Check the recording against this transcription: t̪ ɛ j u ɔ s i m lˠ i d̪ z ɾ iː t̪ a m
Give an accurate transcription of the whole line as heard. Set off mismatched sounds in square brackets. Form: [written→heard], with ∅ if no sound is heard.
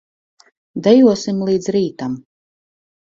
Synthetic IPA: [t̪→d̪] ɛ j u ɔ s i m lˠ [i→iː] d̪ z ɾ iː t̪ a m